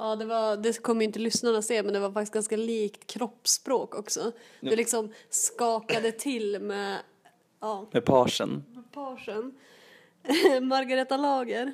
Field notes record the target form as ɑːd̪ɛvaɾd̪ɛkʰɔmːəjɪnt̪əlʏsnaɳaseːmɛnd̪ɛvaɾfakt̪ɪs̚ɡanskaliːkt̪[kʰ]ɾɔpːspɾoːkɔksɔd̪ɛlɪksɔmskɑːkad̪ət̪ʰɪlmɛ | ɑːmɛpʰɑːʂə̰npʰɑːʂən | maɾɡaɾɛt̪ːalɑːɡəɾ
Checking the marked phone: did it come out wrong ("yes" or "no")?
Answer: no